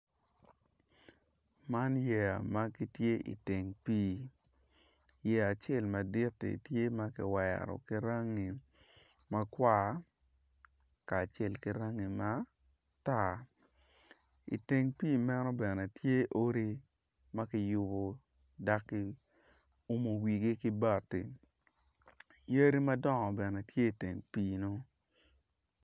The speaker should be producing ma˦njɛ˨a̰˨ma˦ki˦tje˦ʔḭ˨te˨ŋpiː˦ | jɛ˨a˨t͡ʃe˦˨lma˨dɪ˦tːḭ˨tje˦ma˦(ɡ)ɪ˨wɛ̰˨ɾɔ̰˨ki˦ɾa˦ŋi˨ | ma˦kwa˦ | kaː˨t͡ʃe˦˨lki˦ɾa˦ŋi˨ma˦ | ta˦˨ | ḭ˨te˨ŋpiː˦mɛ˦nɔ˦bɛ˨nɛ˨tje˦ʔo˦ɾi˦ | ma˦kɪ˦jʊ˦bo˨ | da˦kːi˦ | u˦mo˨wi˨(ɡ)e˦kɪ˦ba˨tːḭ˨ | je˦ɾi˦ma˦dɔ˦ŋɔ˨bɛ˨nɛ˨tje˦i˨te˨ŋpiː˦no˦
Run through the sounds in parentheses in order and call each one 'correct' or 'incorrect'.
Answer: incorrect, correct

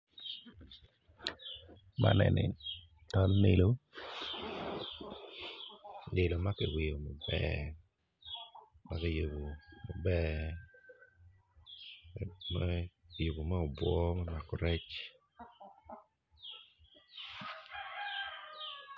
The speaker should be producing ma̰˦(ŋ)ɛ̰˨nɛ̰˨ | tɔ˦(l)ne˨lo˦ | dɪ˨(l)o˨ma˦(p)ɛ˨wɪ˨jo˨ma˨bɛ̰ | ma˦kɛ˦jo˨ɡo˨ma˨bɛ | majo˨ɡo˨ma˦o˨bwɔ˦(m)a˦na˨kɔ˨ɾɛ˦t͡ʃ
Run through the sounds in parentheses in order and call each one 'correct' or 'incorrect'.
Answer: incorrect, correct, correct, incorrect, correct

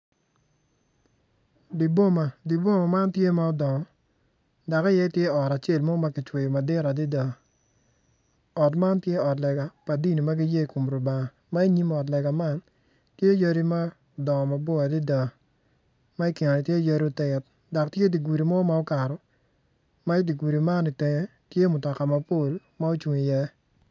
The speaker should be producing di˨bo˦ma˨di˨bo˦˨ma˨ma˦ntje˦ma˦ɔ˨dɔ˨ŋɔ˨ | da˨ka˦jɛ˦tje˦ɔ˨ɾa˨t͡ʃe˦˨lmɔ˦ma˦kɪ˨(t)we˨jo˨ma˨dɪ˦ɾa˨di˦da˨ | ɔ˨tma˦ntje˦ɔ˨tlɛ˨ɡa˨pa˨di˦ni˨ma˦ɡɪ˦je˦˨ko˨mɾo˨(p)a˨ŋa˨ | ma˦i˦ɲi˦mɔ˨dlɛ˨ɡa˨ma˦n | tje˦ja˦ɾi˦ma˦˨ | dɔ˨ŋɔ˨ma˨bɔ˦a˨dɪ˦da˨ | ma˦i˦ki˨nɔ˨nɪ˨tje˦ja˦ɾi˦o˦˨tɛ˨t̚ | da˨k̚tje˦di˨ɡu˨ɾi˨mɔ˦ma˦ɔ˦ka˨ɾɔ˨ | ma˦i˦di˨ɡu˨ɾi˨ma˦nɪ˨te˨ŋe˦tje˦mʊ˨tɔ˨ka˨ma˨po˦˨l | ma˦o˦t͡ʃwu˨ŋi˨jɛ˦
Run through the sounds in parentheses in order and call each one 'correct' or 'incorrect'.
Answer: incorrect, incorrect

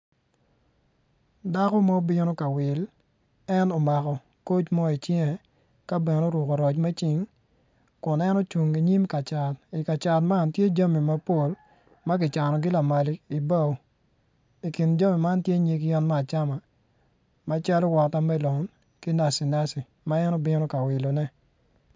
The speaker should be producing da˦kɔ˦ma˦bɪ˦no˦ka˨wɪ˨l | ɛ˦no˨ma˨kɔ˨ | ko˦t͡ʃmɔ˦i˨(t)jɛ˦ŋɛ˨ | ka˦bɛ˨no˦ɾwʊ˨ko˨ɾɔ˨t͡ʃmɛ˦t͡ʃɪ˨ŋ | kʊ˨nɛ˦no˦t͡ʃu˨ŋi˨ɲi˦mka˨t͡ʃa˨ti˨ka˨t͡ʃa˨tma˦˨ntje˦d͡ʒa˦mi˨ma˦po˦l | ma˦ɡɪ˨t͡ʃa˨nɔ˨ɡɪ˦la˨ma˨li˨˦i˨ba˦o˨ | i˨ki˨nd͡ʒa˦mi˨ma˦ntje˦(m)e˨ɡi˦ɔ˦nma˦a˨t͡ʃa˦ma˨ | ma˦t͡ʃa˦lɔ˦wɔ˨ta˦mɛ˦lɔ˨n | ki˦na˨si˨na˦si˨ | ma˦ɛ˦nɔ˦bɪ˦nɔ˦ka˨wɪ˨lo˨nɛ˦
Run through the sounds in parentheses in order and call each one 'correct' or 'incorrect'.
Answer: incorrect, incorrect

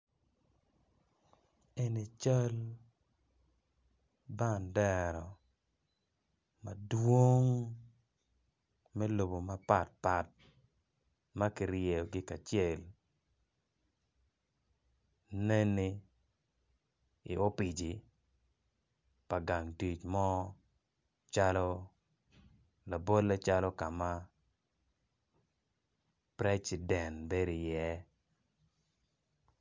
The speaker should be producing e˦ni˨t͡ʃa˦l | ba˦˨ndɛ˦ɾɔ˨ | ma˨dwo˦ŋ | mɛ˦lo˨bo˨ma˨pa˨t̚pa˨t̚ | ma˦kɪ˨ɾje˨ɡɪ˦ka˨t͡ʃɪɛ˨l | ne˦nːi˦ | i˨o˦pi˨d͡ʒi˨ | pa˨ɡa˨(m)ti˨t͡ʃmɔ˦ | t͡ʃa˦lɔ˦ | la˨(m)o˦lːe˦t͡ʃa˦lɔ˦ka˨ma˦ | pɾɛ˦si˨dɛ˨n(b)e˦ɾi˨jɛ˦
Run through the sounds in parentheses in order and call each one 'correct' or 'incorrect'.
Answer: incorrect, incorrect, correct

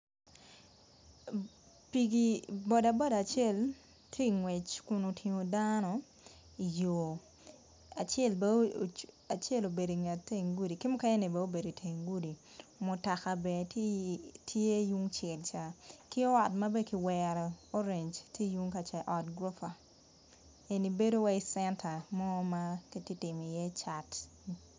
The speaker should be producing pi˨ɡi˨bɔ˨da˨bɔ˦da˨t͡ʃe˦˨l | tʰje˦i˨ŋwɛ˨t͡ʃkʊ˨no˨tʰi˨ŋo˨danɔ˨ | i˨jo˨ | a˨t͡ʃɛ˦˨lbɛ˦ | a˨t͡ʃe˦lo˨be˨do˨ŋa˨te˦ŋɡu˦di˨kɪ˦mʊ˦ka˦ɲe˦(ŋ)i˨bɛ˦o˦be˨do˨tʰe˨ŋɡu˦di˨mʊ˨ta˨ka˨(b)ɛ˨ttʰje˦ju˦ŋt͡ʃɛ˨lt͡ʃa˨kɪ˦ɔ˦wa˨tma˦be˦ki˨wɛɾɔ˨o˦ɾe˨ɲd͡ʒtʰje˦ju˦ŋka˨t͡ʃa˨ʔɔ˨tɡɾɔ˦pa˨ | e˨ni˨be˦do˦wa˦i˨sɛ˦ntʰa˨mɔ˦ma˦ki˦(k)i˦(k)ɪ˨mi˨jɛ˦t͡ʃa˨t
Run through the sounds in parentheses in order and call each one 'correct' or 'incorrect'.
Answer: incorrect, correct, incorrect, incorrect

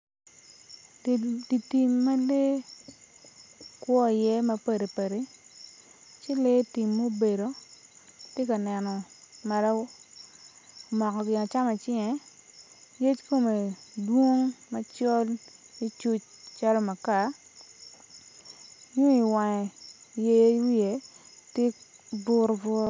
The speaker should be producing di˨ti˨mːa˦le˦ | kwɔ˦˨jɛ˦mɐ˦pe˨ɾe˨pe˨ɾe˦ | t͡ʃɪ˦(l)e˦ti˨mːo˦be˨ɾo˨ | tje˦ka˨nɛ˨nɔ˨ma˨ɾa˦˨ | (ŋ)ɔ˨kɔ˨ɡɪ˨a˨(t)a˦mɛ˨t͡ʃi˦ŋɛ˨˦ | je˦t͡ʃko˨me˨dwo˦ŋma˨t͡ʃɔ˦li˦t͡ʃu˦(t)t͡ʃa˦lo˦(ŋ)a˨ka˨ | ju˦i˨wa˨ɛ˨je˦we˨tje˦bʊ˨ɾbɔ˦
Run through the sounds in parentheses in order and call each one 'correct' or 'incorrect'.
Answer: correct, incorrect, incorrect, incorrect, incorrect

